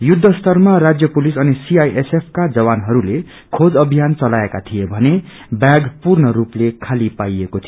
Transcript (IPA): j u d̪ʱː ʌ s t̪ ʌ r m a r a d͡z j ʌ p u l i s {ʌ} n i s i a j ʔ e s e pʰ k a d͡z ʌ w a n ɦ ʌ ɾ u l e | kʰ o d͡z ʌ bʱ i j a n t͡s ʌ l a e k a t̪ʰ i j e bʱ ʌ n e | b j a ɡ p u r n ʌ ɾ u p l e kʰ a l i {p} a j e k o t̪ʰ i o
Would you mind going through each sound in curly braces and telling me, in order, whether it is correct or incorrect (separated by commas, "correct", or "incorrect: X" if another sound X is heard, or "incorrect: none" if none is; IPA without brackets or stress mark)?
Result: correct, correct